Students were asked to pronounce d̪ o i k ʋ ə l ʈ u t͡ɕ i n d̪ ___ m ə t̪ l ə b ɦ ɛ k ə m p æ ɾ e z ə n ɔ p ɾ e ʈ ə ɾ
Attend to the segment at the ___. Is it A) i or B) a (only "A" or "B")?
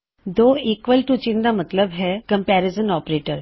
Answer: B